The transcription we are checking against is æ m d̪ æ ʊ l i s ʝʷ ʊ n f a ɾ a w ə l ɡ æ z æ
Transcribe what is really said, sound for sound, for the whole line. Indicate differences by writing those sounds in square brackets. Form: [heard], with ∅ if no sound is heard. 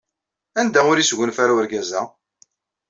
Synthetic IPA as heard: æ [n] d̪ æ ʊ [ɾ] i s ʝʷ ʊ n f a ɾ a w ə [ɾ] ɡ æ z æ